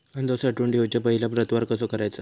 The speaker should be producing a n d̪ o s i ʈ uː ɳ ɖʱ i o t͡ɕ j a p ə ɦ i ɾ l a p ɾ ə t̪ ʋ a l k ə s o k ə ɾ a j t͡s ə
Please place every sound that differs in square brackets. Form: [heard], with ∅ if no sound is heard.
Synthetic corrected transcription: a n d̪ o s [a] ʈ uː ɳ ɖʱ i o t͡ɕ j a p ə ɦ i [∅] l a p ɾ ə t̪ ʋ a [ɾ] k ə s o k ə ɾ a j t͡s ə